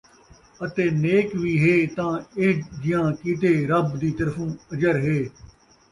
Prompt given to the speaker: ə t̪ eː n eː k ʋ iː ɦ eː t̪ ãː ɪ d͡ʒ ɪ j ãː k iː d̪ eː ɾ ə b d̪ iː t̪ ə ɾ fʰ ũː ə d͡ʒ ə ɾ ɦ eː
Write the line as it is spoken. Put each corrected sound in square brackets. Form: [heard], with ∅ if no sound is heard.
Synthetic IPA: ə t̪ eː n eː k ʋ iː ɦ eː t̪ ãː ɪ d͡ʒ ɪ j ãː k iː [t̪] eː ɾ ə b d̪ iː t̪ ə ɾ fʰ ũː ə d͡ʒ ə ɾ ɦ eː